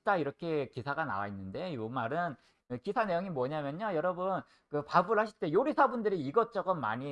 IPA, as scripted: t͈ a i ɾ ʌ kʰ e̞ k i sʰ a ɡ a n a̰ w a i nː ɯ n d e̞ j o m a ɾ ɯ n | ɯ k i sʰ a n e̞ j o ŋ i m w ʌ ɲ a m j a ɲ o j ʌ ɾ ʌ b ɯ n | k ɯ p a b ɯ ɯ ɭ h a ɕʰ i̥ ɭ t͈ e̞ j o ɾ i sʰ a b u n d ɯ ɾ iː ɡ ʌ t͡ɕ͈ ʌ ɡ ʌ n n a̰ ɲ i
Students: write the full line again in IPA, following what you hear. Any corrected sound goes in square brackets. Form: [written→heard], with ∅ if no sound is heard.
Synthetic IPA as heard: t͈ a i ɾ ʌ kʰ e̞ k i sʰ a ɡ a n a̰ w a i nː ɯ n d e̞ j o m a ɾ ɯ n | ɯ k i sʰ a n e̞ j o ŋ i m w ʌ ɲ a m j [a→ʌ] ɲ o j ʌ ɾ ʌ b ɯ n | k ɯ p a b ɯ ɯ ɭ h a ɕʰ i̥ ɭ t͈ e̞ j o ɾ i sʰ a b u n d ɯ ɾ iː ɡ ʌ t͡ɕ͈ ʌ ɡ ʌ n [n→m] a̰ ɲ i